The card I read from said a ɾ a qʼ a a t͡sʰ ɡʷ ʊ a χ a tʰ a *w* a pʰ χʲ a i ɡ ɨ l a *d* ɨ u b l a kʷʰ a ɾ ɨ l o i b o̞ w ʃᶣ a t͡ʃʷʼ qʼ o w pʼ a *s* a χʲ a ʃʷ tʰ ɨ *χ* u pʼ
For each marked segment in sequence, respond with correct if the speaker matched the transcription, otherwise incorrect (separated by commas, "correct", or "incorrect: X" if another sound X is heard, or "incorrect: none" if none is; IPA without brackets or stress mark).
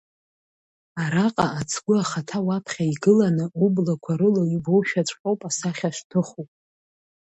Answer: correct, incorrect: n, correct, correct